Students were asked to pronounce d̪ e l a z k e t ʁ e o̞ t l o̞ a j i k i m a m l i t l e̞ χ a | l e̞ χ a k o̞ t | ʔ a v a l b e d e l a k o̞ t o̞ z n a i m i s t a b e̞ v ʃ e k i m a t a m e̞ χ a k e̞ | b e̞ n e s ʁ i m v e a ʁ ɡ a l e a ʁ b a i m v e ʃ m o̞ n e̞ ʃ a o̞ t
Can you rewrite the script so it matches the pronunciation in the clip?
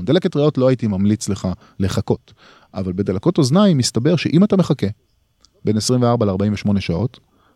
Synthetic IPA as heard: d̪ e l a k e t ʁ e o̞ t l o̞ a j i t i m a m l i t͡s l e̞ χ a | l e̞ χ a k o̞ t | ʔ a v a l b e d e l a k o̞ t o̞ z n a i m i s t a b e̞ ʁ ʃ e ʔ i m a t a m e̞ χ a k e̞ | b e̞ n e s ʁ i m v e a ʁ b a l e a ʁ b a i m v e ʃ m o̞ n e̞ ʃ a o̞ t